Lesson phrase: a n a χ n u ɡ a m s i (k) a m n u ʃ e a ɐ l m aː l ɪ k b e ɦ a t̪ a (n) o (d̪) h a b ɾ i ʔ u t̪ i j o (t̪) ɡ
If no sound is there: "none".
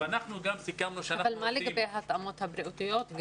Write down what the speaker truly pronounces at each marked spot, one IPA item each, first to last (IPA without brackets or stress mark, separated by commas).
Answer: k, m, t̪, t̪